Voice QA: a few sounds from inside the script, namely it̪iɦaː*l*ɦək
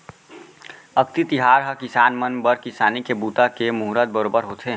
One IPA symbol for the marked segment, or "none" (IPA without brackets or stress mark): ɾ